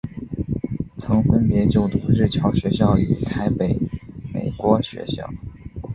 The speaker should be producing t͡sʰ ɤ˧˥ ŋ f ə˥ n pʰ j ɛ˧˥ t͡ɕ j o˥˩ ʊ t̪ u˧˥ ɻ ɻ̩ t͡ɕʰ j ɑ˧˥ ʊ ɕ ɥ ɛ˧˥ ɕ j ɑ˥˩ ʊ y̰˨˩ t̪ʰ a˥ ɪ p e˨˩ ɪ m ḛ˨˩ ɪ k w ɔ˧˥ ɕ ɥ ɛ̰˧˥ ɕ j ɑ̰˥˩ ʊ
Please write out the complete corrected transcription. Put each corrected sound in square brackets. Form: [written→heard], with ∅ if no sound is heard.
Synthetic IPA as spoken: t͡sʰ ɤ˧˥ ŋ f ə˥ n [pʰ→p] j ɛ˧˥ t͡ɕ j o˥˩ ʊ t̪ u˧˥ ɻ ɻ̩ t͡ɕʰ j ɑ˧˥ ʊ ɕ ɥ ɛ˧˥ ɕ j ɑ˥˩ ʊ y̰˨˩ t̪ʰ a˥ ɪ p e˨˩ ɪ m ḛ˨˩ ɪ k w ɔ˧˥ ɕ ɥ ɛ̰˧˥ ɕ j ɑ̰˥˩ ʊ